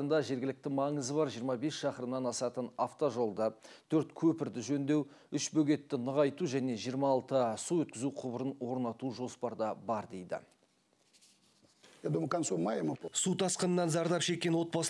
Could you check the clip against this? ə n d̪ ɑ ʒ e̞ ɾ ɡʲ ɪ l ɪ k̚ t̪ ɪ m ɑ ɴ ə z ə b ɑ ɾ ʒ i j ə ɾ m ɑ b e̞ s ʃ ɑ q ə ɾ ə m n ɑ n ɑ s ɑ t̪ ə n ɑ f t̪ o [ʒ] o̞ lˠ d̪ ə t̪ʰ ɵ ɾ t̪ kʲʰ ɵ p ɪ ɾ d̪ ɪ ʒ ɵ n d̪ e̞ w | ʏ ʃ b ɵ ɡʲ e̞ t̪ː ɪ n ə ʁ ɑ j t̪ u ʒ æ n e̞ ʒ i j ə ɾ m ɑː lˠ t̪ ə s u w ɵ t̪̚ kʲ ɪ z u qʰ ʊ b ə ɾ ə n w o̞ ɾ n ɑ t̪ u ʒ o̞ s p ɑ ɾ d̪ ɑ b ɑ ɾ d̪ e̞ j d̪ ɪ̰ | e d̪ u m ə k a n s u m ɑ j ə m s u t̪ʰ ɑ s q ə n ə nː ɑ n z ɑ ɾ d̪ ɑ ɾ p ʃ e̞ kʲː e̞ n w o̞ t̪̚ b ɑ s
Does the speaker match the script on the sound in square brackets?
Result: yes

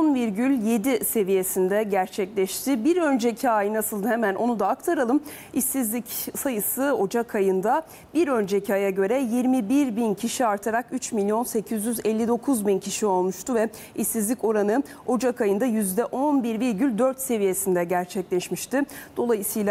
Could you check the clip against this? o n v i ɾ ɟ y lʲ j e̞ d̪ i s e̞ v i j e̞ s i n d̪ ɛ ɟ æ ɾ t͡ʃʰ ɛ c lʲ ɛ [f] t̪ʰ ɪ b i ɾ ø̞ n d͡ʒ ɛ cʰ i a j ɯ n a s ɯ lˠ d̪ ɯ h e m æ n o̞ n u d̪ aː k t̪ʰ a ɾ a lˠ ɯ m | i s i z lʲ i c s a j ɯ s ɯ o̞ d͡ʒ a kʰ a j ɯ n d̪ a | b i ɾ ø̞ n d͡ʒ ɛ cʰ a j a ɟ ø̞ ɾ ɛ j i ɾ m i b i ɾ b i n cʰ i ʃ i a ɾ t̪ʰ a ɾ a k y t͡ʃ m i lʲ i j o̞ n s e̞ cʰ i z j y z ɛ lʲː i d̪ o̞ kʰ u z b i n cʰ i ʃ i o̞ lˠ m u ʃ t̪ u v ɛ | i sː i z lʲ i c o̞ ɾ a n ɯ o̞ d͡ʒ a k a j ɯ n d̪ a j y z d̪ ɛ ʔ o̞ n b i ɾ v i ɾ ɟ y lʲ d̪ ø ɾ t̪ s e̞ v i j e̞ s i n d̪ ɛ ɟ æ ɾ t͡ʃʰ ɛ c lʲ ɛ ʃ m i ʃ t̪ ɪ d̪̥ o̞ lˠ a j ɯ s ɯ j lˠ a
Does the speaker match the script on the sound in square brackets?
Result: no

